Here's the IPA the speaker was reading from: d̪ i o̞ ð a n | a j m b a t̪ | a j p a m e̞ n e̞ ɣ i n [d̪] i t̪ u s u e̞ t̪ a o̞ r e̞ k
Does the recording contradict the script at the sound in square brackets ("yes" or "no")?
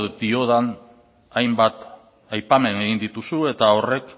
no